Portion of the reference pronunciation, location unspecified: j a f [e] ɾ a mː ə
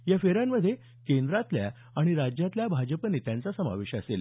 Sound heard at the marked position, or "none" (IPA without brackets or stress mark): e